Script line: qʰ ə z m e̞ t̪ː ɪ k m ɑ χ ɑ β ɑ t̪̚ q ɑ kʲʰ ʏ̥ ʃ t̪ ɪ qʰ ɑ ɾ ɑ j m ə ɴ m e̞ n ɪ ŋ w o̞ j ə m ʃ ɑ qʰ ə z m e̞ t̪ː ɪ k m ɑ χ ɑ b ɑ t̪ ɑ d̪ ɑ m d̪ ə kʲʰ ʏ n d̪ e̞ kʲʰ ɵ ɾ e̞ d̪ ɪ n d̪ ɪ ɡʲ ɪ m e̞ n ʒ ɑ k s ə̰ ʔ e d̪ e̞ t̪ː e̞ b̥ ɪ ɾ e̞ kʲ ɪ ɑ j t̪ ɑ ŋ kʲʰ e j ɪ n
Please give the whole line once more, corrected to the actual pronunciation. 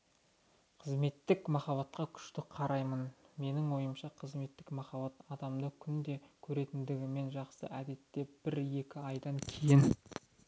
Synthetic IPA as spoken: qʰ ə z m e̞ t̪ː ɪ k m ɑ χ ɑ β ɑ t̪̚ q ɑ kʲʰ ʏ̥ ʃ t̪ ɪ qʰ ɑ ɾ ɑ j m ə n m e̞ n ɪ ŋ w o̞ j ə m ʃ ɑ qʰ ə z m e̞ t̪ː ɪ k m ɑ χ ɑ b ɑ t̪ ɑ d̪ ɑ m d̪ ə kʲʰ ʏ n d̪ e̞ kʲʰ ɵ ɾ e̞ t̪ ɪ n d̪ ɪ ɡʲ ɪ m e̞ n ʒ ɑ q s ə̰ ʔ æ d̪ e̞ t̪ː e̞ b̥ ɪ ɾ e̞ kʲ ɪ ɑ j d̪ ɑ ŋ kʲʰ e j ɪ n